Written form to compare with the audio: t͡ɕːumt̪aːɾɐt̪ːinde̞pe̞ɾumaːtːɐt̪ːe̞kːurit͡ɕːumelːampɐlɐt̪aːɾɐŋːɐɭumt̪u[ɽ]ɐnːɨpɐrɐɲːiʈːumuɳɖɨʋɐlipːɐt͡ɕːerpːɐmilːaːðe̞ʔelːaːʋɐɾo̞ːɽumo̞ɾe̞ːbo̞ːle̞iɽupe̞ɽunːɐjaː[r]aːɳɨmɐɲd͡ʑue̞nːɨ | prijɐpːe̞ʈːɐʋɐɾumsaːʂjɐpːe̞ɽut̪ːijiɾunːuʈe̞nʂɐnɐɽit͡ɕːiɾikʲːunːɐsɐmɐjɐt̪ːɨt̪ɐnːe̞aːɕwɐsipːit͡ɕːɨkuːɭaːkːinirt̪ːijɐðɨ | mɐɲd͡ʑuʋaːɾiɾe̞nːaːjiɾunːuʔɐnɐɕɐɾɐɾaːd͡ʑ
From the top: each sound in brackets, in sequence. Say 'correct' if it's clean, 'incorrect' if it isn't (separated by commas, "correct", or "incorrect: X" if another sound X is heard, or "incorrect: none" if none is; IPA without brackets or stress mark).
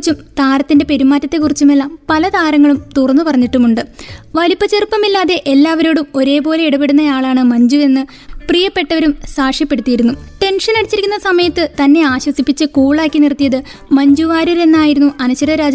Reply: incorrect: r, incorrect: ɭ